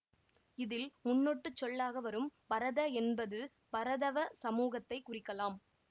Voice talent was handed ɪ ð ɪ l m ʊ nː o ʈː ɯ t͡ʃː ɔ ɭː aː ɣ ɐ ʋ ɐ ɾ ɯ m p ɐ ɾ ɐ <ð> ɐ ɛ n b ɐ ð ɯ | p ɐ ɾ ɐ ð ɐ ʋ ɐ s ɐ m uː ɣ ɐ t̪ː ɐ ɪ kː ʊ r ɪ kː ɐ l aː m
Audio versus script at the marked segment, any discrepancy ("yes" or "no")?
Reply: no